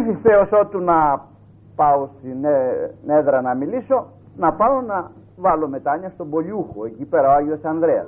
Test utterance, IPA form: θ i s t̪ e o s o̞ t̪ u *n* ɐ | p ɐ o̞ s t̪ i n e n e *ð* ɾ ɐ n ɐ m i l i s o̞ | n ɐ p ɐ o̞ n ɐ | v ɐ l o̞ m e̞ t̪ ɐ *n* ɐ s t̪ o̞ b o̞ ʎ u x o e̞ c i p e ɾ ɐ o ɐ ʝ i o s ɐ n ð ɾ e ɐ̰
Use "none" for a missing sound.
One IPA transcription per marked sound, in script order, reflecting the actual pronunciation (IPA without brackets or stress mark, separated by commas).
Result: n, ð, ɲ